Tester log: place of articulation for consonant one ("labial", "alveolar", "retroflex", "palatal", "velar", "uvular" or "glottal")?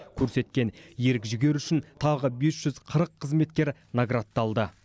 velar